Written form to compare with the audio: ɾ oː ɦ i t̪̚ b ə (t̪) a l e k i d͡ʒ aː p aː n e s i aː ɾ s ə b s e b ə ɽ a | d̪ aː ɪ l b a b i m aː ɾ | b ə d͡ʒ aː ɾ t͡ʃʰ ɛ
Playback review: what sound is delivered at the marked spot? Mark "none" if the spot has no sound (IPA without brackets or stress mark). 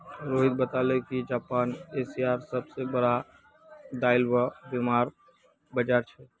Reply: t̪